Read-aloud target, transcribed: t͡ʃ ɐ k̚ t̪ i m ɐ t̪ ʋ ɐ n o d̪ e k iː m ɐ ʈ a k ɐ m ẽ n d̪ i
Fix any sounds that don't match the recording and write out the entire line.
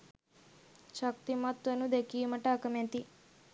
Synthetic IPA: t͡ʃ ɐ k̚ t̪ i m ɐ t̪ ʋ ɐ n u d̪ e k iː m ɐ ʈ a k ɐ m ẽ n t̪ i